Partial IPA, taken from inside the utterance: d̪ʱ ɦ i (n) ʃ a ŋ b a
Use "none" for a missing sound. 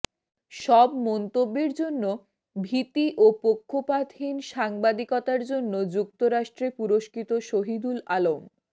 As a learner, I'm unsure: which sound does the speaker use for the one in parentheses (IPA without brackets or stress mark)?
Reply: n